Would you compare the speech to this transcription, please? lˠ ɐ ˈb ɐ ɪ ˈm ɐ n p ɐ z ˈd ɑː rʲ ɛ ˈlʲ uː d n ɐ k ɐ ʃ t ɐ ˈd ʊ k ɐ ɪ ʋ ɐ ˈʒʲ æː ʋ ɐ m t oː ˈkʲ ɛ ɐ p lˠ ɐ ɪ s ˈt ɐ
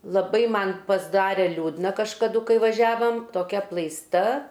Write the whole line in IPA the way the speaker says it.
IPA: lˠ ɐ ˈb ɐ ɪ ˈm ɐ n p ɐ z ˈd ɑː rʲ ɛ ˈlʲ uː d n ɐ k ɐ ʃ k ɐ ˈd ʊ k ɐ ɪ ʋ ɐ ˈʒʲ æː ʋ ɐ m t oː ˈkʲ ɛ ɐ p lˠ ɐ ɪ s ˈt ɐ